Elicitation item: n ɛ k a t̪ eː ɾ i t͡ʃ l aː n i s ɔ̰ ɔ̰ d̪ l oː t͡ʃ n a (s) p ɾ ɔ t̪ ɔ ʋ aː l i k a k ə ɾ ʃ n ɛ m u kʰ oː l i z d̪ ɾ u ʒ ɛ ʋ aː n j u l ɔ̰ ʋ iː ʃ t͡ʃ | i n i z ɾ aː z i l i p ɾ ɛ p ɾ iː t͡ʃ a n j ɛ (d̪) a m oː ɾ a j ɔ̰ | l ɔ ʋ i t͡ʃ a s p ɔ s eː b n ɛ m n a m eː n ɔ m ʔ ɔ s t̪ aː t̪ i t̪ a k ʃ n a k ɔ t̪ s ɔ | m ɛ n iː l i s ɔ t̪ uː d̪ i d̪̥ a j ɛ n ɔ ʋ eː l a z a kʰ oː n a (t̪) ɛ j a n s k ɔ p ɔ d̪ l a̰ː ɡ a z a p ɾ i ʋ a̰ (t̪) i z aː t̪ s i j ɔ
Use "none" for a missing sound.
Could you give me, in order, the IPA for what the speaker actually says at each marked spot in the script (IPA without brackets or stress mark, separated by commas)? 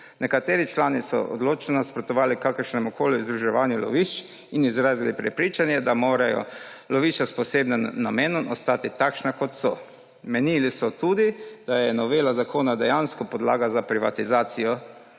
s, d̪, d̪, t̪